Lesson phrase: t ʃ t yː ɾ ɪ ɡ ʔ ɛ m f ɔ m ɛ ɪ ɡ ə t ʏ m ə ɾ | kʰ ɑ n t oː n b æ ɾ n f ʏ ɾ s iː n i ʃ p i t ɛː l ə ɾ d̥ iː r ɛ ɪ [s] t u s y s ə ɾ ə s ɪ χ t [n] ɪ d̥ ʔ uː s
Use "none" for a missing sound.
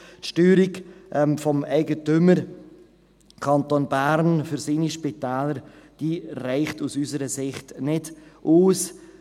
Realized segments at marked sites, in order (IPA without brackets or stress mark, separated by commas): χ, n